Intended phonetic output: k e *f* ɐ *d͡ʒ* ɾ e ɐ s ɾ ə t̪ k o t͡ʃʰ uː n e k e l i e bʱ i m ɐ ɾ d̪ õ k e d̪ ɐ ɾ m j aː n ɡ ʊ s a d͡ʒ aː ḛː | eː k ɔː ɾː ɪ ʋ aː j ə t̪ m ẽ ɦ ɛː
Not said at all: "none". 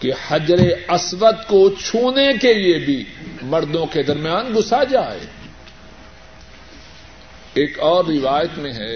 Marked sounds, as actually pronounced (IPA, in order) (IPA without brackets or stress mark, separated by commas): h, d͡ʒ